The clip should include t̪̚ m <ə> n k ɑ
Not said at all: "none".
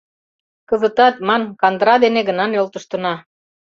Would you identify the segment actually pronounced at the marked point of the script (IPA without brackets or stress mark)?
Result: ɑ